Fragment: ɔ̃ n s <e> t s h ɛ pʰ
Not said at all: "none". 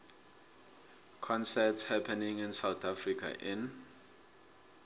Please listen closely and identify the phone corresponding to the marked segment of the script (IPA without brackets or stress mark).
ɛ